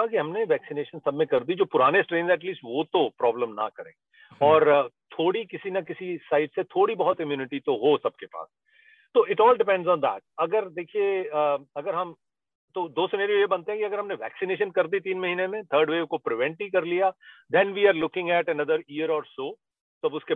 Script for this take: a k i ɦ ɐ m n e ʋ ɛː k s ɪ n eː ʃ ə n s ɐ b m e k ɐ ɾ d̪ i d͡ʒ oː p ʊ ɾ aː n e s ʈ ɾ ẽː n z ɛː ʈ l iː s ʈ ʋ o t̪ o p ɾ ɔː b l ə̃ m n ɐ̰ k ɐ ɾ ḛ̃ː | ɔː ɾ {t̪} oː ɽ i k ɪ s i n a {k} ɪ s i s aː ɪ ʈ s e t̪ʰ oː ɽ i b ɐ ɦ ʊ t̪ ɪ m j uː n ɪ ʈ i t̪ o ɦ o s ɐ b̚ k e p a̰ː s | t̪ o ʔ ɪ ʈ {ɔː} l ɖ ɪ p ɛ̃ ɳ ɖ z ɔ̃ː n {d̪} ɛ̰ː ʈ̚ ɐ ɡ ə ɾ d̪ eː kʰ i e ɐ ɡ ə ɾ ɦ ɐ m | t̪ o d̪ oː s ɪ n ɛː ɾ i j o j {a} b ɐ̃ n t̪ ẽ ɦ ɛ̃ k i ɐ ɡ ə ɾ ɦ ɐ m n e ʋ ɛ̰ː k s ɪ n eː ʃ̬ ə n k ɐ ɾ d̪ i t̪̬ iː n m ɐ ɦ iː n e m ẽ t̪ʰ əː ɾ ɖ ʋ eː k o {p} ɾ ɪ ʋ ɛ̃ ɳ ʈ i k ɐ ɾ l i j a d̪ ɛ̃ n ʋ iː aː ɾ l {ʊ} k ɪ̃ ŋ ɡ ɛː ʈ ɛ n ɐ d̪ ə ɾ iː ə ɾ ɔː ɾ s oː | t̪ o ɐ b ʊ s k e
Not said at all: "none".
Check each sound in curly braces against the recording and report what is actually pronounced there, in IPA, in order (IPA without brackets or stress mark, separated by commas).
t̪ʰ, k, ɔː, d̪, e, p, ʊ